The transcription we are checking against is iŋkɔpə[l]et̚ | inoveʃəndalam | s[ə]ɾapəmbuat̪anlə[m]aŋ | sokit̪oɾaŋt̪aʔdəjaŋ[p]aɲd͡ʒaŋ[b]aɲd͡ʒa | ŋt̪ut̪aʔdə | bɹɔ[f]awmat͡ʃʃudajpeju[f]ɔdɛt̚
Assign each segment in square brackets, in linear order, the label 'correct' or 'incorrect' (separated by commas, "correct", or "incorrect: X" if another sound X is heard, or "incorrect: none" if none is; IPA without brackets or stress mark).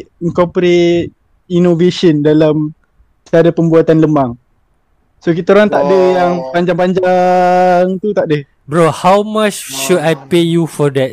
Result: incorrect: ɾ, incorrect: a, correct, correct, incorrect: p, incorrect: h, correct